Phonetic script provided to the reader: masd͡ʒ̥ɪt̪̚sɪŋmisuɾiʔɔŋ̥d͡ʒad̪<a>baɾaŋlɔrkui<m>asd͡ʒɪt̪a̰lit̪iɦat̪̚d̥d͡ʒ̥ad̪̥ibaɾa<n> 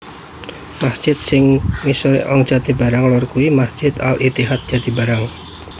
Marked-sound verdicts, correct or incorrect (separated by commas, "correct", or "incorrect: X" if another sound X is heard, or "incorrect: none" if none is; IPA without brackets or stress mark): incorrect: i, correct, incorrect: ŋ